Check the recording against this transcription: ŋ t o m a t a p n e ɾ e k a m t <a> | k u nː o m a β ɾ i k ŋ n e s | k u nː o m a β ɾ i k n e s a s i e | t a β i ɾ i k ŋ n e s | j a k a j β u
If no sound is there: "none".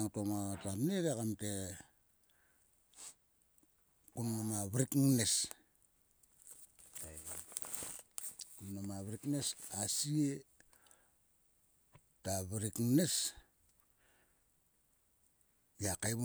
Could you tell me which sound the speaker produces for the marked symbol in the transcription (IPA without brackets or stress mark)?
e